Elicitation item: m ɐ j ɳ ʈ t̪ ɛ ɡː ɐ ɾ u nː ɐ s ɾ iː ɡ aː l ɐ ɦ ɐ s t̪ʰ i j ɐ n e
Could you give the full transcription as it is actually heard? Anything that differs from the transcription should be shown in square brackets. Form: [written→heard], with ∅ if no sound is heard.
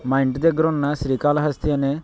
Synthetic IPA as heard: m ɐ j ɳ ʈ [t̪→d̪] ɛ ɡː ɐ ɾ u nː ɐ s ɾ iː [ɡ→k] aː l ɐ ɦ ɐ s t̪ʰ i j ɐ n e